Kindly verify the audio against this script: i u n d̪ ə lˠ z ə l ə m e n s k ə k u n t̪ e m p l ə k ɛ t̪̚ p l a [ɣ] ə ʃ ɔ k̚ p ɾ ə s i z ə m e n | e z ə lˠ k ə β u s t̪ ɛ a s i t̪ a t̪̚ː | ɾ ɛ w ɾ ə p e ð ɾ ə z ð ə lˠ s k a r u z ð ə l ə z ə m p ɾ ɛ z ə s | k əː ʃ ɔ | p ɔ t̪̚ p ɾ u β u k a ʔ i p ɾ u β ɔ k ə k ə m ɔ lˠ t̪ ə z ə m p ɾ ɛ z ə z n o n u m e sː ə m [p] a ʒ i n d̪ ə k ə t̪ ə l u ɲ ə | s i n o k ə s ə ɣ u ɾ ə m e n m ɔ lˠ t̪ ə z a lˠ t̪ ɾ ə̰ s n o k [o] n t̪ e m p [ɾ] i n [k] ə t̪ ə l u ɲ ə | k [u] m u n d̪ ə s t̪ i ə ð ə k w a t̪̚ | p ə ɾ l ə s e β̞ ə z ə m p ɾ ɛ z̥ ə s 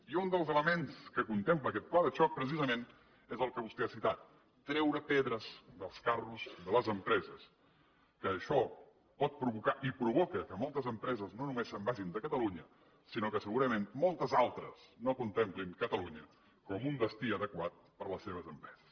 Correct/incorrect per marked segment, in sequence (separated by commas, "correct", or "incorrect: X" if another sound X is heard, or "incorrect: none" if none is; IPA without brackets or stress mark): incorrect: ð, incorrect: b, incorrect: u, incorrect: l, correct, incorrect: ɔ